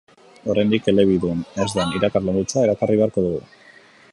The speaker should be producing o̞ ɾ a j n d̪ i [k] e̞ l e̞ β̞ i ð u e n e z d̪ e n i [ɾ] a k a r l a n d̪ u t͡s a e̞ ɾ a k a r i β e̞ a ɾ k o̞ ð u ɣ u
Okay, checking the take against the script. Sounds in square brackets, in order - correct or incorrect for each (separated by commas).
correct, correct